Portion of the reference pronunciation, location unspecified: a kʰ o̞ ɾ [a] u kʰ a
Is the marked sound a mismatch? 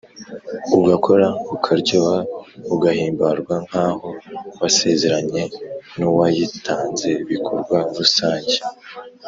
no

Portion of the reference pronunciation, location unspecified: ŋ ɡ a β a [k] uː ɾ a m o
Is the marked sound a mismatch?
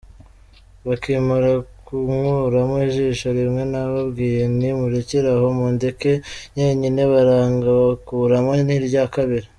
no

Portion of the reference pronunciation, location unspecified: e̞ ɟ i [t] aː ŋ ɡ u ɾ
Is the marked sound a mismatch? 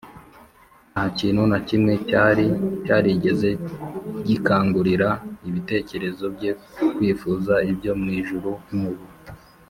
yes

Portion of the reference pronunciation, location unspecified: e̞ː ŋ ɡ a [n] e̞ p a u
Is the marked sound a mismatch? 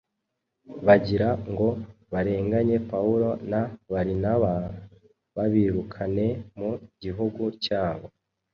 yes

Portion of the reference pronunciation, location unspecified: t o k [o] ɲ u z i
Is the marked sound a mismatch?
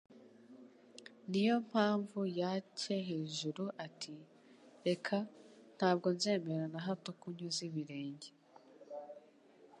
yes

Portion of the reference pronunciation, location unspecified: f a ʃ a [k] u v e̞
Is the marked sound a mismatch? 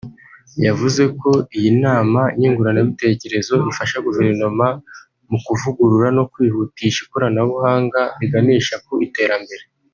yes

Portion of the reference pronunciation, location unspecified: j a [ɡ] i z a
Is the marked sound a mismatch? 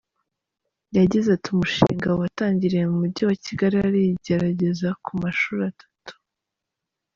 yes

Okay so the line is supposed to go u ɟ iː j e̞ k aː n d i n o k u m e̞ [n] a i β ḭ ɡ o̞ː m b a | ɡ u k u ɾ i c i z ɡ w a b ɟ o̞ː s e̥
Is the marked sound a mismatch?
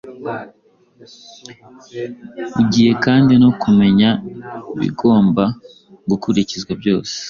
yes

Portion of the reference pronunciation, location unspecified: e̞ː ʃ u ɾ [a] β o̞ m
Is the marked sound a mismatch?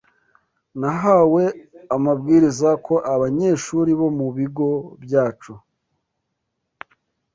yes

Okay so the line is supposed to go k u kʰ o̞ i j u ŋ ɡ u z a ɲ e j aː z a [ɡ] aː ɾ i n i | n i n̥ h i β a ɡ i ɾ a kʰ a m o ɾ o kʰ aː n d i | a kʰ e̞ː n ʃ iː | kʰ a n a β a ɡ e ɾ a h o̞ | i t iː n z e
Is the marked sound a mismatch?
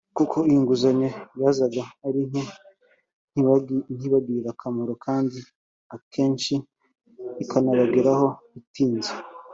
no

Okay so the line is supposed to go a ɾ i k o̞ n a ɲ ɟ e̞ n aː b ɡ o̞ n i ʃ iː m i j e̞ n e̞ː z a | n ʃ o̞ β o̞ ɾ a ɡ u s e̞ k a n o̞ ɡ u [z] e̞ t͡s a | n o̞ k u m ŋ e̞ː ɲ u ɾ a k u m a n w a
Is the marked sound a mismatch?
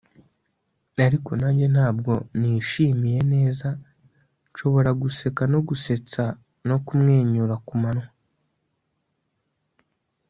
yes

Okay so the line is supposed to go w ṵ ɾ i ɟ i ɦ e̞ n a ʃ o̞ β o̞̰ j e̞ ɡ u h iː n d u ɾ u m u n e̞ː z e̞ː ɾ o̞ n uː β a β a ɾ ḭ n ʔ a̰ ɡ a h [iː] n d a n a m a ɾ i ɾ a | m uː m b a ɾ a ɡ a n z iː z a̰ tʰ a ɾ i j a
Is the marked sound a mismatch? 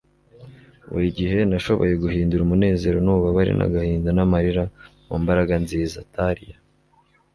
no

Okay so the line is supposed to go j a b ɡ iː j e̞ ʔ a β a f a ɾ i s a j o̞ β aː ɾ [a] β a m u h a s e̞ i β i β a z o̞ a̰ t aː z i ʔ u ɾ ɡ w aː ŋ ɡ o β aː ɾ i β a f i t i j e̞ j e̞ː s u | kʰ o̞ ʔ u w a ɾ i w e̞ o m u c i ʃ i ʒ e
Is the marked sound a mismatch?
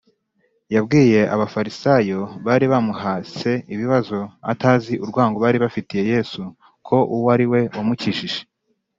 yes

